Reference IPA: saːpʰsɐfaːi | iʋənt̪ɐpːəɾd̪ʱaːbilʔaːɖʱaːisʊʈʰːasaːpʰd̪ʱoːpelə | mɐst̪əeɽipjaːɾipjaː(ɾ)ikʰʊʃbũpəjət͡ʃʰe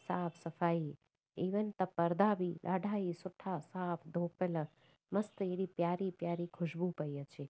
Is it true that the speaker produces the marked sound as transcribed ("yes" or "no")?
yes